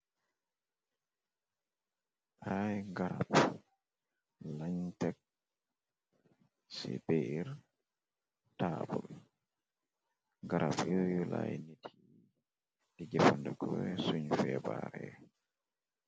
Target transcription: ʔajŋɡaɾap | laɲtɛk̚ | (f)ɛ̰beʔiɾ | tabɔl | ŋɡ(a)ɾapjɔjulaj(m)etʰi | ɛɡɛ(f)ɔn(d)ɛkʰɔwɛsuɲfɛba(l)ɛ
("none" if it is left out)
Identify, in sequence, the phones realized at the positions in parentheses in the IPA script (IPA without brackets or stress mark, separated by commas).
s, a, n, f, d, ɾ